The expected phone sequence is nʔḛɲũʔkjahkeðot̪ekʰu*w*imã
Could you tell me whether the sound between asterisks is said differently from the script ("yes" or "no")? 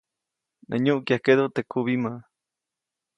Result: yes